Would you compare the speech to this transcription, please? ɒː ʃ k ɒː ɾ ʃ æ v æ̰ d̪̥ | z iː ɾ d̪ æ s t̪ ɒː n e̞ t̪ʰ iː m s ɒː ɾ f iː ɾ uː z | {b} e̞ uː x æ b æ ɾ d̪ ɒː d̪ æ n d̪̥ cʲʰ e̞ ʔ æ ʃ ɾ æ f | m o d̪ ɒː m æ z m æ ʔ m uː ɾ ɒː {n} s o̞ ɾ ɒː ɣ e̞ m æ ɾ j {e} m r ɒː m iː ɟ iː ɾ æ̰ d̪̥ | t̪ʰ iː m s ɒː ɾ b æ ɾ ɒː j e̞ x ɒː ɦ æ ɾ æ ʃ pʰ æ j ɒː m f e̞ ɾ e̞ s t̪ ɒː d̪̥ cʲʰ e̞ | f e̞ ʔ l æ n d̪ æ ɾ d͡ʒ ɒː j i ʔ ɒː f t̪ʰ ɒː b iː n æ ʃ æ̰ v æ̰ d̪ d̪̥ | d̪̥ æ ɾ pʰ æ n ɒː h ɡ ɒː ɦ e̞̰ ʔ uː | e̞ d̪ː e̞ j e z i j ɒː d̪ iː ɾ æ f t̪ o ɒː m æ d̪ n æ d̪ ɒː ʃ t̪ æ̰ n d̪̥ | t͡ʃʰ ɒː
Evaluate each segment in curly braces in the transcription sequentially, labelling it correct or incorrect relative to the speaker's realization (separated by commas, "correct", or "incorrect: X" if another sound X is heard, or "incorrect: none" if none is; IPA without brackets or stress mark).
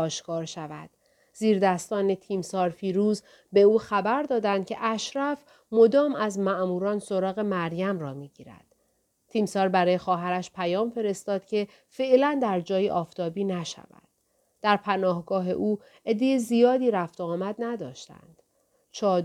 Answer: correct, correct, incorrect: æ